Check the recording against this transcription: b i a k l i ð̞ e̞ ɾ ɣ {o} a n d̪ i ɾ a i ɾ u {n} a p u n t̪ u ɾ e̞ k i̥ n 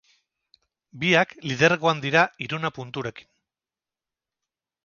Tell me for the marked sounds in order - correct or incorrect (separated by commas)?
correct, correct